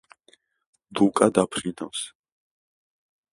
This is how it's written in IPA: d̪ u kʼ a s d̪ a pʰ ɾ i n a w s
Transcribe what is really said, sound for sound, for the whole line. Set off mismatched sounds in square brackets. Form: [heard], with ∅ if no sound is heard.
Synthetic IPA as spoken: d̪ u kʼ a [∅] d̪ a pʰ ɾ i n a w s